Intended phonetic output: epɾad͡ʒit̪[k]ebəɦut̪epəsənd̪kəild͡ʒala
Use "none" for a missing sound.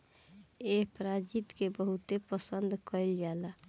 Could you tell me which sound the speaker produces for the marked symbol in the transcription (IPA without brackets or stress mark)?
k